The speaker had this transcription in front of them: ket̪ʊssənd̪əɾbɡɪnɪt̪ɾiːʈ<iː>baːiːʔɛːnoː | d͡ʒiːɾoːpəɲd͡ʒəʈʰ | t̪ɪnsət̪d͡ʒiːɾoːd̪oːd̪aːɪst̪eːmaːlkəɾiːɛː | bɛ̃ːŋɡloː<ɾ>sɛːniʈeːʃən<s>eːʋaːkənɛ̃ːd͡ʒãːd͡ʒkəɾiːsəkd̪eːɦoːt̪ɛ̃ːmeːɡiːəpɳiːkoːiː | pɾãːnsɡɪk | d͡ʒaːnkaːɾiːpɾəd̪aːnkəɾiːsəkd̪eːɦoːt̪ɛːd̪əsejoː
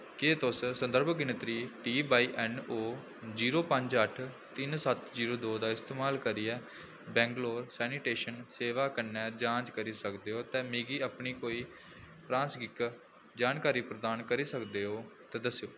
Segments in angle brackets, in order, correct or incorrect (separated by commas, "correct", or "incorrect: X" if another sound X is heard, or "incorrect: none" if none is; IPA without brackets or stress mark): correct, correct, correct